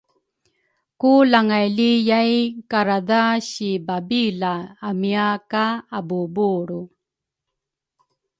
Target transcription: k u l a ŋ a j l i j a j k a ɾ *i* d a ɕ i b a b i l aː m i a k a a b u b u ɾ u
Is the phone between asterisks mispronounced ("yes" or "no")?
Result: yes